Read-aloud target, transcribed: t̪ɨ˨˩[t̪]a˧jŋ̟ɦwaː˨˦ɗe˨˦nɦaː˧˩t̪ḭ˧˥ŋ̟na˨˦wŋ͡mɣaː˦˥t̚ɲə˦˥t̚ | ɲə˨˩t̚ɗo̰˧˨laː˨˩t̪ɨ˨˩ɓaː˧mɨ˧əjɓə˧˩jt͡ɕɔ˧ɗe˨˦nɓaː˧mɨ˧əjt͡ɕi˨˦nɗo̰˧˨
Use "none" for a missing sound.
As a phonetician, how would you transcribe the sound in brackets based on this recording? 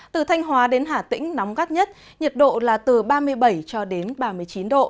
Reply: t̪ʰ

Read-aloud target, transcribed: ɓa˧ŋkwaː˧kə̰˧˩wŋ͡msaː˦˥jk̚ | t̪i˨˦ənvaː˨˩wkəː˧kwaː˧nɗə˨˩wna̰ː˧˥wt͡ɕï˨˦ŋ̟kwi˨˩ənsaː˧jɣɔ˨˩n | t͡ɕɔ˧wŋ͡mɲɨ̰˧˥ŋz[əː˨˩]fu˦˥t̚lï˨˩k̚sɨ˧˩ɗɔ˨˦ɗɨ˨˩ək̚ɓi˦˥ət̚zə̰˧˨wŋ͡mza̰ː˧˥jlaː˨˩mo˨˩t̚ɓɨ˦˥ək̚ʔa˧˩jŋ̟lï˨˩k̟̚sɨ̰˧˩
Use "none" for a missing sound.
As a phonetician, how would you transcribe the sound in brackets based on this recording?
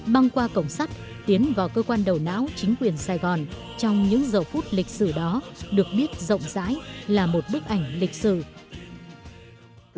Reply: əː˨˩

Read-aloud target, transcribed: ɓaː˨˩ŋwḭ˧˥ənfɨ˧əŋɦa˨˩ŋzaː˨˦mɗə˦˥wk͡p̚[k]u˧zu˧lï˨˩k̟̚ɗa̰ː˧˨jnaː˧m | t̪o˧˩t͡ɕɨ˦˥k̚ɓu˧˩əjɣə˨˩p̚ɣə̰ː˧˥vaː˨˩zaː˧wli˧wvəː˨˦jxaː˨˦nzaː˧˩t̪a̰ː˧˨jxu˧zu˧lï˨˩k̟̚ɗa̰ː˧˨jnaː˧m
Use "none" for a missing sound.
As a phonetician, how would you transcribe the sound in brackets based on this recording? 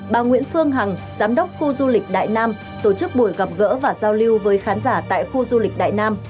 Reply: x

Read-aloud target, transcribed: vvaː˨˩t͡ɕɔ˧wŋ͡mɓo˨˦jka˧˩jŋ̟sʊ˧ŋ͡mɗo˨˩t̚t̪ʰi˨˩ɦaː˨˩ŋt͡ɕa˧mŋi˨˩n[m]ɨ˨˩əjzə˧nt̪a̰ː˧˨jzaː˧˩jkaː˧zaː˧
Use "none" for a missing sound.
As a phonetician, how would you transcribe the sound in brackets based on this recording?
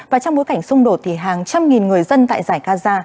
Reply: ŋ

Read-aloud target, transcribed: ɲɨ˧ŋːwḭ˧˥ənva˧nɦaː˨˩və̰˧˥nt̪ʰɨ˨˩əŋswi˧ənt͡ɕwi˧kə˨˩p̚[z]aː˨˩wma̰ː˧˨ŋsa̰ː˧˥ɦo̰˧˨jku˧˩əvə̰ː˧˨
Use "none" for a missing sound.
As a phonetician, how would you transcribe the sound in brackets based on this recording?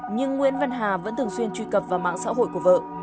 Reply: v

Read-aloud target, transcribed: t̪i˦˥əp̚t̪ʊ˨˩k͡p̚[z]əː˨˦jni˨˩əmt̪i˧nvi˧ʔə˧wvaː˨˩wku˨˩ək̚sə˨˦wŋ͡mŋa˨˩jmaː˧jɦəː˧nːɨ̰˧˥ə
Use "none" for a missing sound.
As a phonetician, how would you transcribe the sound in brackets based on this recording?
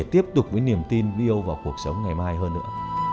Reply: v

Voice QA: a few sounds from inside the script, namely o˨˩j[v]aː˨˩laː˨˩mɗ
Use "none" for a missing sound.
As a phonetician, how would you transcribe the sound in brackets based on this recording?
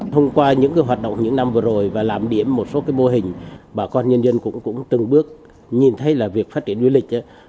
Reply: v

